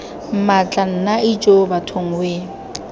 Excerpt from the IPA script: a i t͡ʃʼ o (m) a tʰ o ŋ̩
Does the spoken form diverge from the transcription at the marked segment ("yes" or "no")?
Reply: yes